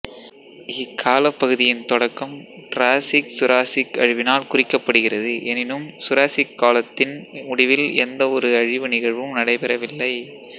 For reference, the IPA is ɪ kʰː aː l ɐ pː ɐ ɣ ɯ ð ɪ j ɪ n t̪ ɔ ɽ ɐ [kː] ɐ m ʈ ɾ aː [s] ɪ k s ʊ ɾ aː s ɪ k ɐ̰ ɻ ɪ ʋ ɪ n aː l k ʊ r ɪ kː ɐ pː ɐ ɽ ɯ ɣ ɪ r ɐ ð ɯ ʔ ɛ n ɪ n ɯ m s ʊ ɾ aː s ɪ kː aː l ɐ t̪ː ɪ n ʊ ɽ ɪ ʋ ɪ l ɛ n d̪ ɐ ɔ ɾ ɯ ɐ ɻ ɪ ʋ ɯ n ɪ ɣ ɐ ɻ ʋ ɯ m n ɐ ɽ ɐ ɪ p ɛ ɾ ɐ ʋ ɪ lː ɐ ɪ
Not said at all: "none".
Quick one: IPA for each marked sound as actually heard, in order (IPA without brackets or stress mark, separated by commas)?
kː, s